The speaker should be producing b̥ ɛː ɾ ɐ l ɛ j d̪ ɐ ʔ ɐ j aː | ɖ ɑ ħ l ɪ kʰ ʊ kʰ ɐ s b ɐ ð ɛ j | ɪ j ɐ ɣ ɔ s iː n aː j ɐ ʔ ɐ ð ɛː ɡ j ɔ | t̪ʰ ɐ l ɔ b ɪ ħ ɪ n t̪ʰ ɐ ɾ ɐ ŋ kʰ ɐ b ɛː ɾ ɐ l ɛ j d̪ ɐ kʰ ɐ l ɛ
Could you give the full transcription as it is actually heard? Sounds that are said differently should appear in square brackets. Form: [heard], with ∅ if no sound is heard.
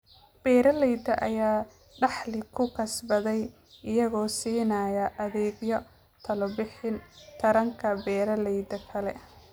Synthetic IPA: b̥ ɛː ɾ ɐ l ɛ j d̪ ɐ ʔ ɐ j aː | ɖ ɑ ħ l ɪ kʰ ʊ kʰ ɐ s b ɐ ð ɛ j | ɪ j ɐ ɣ [ɔː] s iː n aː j ɐ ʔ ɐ ð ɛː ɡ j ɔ | t̪ʰ ɐ l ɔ b ɪ ħ ɪ n t̪ʰ ɐ ɾ ɐ ŋ kʰ ɐ b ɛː ɾ ɐ l ɛ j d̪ ɐ kʰ ɐ l ɛ